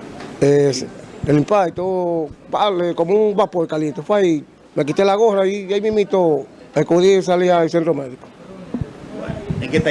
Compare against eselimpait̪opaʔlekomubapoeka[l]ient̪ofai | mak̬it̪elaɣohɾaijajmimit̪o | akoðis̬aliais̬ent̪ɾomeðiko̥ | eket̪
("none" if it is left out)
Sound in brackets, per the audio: l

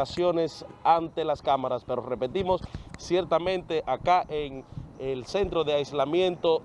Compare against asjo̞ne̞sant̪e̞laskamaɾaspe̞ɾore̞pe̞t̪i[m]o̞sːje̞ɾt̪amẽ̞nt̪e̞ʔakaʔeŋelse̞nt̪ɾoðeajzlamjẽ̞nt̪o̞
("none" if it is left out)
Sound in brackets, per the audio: m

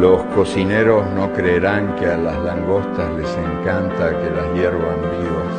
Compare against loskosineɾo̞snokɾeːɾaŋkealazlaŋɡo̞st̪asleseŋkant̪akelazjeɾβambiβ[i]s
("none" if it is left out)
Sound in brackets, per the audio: a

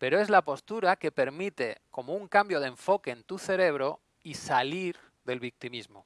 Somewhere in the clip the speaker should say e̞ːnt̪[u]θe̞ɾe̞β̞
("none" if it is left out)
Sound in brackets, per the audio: u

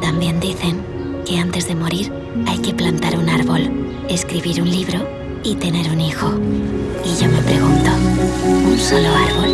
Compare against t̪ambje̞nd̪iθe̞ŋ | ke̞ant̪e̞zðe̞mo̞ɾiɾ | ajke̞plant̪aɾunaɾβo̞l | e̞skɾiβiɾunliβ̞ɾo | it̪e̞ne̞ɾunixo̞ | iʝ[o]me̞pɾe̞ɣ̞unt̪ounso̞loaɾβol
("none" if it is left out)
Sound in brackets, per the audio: o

